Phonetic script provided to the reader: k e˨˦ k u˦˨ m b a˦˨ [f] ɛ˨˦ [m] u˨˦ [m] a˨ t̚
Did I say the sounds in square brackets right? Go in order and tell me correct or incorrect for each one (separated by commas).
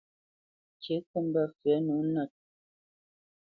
correct, incorrect, incorrect